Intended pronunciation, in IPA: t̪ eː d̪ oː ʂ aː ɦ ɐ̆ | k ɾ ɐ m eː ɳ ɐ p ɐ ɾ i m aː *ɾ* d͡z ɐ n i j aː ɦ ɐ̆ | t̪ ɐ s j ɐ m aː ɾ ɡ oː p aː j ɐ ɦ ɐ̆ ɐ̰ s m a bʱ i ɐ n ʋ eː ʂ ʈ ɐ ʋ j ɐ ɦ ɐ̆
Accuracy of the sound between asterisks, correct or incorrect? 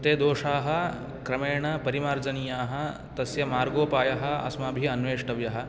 correct